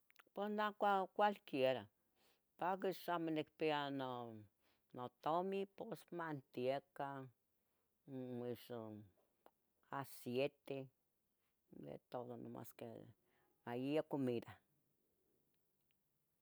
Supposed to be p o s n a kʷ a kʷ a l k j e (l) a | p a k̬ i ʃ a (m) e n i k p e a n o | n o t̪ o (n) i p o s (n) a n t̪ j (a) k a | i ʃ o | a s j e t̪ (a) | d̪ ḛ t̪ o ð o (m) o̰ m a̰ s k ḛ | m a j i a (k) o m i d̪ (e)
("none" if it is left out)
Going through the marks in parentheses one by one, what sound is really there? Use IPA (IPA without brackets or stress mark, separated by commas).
ɾ, m, m, m, e, e, n, k, a